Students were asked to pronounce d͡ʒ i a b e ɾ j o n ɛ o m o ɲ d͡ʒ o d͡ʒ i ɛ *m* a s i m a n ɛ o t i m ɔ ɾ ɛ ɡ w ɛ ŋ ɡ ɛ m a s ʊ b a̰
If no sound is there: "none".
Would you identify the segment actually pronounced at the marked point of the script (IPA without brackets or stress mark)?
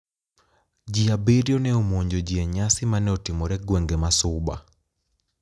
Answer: ɲ